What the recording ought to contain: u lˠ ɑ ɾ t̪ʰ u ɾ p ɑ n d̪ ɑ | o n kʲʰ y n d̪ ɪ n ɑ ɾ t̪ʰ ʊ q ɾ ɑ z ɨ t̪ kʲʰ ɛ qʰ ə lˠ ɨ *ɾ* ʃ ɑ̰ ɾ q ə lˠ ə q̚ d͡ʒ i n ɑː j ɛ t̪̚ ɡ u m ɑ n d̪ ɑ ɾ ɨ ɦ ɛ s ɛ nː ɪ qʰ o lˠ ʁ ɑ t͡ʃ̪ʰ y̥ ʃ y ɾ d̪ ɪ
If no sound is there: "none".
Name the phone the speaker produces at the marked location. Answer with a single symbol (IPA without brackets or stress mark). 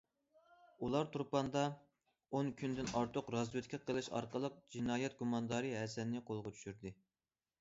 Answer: none